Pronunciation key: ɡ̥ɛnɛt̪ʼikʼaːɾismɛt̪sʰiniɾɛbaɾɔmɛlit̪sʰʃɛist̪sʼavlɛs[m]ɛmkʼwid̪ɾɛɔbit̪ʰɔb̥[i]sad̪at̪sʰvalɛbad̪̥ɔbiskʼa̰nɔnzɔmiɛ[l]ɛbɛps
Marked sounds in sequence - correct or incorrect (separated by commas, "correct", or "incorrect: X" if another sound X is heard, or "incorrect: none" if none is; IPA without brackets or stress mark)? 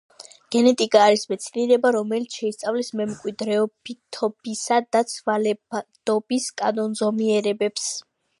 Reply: correct, correct, incorrect: ɾ